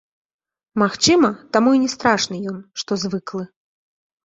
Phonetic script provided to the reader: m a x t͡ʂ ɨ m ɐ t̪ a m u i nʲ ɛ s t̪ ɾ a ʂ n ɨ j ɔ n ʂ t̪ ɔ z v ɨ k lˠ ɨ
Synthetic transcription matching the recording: m a x t͡ʂ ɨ m ɐ t̪ a m u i nʲ ɛ s t̪ ɾ a ʂ n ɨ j ɔ n ʂ t̪ ɔ z v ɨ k lˠ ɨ